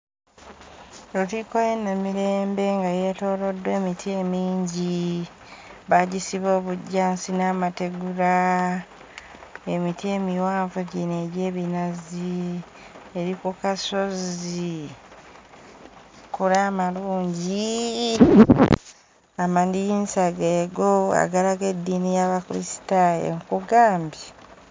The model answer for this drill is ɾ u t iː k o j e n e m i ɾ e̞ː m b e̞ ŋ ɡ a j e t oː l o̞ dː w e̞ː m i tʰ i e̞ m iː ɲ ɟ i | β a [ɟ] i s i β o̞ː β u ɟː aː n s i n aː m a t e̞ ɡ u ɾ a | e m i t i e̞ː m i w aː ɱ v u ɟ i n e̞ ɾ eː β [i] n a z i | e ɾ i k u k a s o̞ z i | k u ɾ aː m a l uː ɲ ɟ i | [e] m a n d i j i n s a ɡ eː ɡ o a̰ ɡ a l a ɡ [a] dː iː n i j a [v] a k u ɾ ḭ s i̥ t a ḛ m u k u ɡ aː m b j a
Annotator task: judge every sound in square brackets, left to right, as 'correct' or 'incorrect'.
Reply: correct, correct, incorrect: a, incorrect: e, incorrect: β

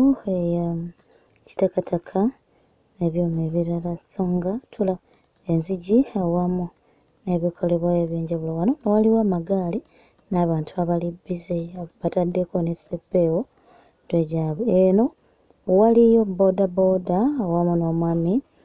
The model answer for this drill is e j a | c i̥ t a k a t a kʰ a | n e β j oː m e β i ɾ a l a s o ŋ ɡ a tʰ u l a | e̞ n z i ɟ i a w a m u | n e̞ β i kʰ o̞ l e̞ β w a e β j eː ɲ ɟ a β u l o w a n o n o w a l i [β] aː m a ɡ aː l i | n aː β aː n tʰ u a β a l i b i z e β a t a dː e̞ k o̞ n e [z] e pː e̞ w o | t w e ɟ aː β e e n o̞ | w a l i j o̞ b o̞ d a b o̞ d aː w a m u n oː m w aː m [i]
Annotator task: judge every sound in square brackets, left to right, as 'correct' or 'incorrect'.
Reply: incorrect: w, incorrect: s, correct

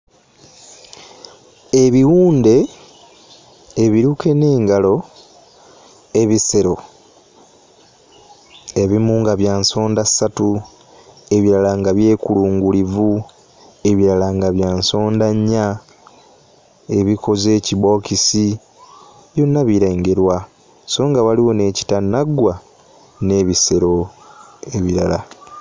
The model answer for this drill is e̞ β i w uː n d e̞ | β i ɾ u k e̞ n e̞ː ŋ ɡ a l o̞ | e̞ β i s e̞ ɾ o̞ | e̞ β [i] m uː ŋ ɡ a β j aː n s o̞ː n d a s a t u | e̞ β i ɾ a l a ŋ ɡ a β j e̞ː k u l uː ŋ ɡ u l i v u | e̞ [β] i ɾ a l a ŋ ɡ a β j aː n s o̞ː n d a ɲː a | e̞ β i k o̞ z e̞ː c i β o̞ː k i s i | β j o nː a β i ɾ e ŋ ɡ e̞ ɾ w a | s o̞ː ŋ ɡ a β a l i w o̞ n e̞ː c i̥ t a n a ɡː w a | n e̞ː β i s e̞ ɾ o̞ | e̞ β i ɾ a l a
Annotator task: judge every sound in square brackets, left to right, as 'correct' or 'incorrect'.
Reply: correct, correct

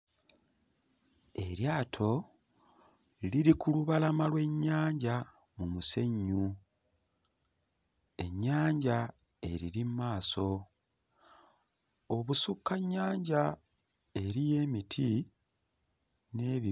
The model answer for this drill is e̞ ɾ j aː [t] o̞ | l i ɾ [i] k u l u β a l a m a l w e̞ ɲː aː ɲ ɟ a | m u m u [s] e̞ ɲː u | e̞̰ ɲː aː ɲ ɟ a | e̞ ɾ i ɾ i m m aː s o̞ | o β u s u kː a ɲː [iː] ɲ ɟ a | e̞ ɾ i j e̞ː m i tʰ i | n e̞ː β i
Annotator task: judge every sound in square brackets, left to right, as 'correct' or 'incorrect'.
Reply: incorrect: tʰ, correct, correct, incorrect: aː

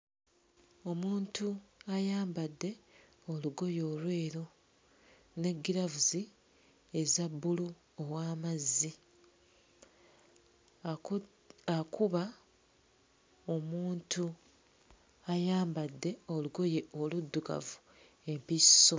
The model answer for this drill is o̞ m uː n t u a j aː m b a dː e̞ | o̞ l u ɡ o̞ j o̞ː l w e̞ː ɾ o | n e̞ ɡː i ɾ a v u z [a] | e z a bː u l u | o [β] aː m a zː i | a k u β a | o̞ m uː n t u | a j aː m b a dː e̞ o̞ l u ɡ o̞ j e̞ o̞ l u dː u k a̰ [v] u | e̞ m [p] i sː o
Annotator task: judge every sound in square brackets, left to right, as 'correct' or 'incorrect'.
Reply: incorrect: i, incorrect: w, correct, correct

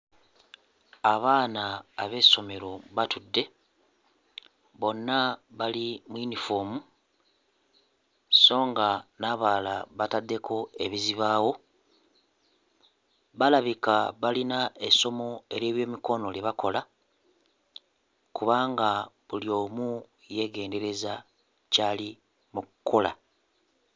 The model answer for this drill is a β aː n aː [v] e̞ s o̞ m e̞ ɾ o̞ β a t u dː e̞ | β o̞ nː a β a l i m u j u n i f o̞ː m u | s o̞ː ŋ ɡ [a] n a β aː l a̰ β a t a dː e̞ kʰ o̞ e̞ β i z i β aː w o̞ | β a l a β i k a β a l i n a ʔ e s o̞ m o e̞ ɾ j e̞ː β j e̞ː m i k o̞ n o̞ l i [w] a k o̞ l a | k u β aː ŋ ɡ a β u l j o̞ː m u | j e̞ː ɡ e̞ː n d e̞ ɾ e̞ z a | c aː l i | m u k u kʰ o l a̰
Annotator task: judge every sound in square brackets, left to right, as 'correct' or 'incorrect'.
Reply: incorrect: β, correct, incorrect: β

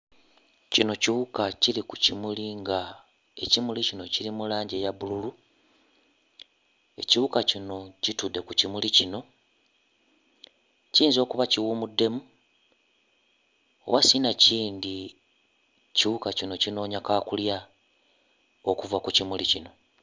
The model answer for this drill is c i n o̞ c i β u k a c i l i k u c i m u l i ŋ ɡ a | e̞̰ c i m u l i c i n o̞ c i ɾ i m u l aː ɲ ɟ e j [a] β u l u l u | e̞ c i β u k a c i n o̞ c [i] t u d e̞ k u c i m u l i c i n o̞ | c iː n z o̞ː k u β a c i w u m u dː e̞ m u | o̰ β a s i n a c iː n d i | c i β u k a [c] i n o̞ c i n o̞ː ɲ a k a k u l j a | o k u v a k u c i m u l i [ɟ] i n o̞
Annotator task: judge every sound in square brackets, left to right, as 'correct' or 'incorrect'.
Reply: correct, correct, correct, incorrect: c

